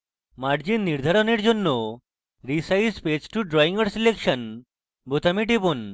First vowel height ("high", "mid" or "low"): low